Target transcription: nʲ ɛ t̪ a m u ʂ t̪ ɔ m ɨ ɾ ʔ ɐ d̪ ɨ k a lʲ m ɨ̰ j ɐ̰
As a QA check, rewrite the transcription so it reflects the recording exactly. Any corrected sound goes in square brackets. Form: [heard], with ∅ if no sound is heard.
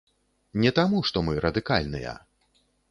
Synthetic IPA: nʲ ɛ t̪ a m u ʂ t̪ ɔ m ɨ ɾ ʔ ɐ d̪ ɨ k a lʲ [n] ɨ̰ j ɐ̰